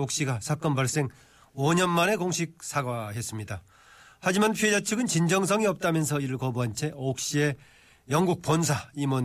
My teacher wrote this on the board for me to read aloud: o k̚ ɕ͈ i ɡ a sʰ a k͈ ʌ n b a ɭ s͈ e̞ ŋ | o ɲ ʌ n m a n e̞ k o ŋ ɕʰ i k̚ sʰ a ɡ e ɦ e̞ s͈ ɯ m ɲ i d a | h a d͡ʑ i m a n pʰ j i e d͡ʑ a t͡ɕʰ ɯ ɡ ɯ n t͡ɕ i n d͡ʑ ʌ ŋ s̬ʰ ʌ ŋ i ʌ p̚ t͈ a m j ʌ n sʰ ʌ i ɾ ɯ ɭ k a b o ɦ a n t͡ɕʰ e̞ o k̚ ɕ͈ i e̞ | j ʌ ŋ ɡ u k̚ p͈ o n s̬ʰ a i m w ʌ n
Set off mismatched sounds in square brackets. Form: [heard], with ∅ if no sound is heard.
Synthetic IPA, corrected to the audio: o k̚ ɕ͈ i ɡ a sʰ a k͈ ʌ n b a ɭ s͈ e̞ ŋ | o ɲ ʌ n m a n e̞ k o ŋ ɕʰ i k̚ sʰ a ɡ [a] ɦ e̞ s͈ ɯ m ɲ i d a | h a d͡ʑ i m a n pʰ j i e d͡ʑ a t͡ɕʰ ɯ ɡ ɯ n t͡ɕ i n d͡ʑ ʌ ŋ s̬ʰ ʌ ŋ i ʌ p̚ t͈ a m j ʌ n sʰ ʌ i ɾ ɯ ɭ k [ʌ] b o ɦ a n t͡ɕʰ e̞ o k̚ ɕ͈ i e̞ | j ʌ ŋ ɡ u k̚ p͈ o n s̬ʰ a i m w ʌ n